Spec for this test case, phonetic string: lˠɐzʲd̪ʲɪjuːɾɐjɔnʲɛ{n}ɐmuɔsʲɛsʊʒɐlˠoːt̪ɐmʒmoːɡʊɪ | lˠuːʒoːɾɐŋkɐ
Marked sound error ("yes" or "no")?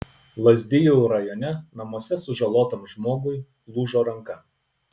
no